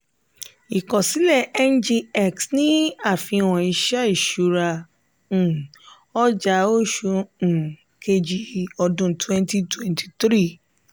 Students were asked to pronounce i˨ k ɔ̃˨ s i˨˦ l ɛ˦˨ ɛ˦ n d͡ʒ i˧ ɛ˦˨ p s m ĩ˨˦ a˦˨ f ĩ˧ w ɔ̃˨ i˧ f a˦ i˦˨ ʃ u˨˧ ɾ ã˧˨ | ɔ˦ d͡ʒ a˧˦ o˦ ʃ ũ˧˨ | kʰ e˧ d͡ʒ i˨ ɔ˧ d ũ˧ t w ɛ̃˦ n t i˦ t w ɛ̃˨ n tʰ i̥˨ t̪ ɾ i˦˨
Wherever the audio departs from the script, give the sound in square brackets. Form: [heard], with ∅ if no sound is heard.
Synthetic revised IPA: i˨ k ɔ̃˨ s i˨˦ l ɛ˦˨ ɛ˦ n d͡ʒ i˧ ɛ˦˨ [k] s [n] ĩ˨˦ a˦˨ f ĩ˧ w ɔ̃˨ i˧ [ʃ] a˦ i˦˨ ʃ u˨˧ ɾ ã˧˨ | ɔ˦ d͡ʒ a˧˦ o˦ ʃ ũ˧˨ | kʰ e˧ d͡ʒ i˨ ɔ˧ d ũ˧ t w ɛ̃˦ n t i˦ t w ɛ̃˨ n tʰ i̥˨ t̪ ɾ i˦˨